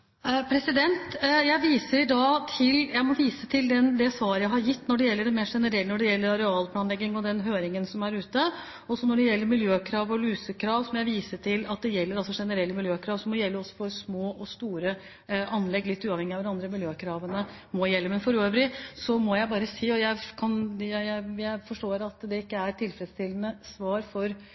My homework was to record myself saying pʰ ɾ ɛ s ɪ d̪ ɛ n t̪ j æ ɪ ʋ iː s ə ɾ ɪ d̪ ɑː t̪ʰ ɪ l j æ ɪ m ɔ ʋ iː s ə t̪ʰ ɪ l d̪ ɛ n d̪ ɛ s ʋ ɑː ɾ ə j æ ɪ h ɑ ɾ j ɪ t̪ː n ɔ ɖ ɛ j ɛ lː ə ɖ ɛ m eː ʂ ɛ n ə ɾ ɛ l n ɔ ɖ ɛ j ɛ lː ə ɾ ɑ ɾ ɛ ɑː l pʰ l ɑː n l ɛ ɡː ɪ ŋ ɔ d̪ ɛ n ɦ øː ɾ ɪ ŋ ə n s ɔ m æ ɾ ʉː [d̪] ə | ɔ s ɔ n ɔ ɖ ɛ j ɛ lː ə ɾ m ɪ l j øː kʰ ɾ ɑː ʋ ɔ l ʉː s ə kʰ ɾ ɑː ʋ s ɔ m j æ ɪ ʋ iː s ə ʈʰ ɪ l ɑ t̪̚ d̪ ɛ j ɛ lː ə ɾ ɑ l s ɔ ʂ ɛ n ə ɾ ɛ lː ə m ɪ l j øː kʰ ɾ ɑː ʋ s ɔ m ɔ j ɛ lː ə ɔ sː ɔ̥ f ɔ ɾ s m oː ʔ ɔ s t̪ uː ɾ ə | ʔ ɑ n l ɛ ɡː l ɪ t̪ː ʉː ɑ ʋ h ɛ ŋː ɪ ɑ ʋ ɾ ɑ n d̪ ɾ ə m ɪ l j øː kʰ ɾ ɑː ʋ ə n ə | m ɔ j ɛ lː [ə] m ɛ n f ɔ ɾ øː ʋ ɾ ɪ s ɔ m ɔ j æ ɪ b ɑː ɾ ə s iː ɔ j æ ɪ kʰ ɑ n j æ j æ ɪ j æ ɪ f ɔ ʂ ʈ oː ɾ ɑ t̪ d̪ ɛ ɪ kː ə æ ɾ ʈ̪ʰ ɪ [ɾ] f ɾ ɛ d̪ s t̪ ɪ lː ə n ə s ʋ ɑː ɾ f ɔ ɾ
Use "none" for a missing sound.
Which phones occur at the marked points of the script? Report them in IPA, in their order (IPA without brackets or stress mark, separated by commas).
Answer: t̪, ə, l